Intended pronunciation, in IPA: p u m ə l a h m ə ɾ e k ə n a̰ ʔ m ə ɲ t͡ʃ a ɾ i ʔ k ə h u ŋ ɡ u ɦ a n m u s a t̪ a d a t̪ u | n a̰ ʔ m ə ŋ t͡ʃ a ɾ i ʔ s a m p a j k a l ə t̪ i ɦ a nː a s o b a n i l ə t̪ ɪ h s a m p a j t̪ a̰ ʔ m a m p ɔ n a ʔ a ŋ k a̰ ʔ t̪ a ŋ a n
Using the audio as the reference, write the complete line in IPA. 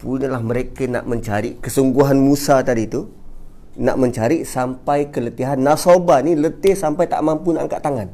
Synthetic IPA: p u n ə l a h m ə ɾ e k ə n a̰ ʔ m ə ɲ t͡ʃ a ɾ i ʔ k ə s u ŋ ɡ u ɦ a n m u s a t̪ a d i t̪ u | n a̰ ʔ m ə ɲ t͡ʃ a ɾ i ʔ s a m p a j k ə l ə t̪ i ɦ a nː a s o b a n i l ə t̪ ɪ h s a m p a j t̪ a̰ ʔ m a m p u n a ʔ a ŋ k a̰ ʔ t̪ a ŋ a n